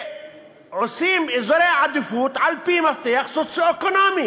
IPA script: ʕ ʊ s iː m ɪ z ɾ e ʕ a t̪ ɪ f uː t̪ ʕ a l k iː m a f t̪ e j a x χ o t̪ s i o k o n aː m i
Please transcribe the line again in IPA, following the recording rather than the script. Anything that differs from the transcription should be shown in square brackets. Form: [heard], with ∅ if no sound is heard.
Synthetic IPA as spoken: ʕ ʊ s iː m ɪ z ɾ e ʕ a [d̪] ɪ f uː t̪ ʕ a l [p] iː m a f t̪ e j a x [s] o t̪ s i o k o n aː m i